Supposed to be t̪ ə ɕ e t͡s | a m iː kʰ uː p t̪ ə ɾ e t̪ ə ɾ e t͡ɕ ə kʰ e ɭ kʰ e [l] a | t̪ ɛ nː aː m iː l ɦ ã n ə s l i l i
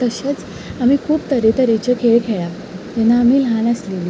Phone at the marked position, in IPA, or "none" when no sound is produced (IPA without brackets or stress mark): ɭ